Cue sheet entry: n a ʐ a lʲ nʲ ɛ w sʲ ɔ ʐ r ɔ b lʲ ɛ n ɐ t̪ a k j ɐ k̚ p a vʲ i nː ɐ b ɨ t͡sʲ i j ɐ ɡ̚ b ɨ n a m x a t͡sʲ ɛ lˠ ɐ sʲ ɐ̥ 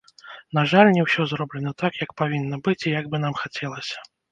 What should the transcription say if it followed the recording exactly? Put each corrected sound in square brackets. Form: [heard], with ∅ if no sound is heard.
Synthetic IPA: n a ʐ a lʲ nʲ ɛ w sʲ ɔ [z] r ɔ b lʲ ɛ n ɐ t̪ a k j ɐ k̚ p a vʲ i nː ɐ b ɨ t͡sʲ i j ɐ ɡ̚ b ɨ n a m x a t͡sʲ ɛ lˠ ɐ sʲ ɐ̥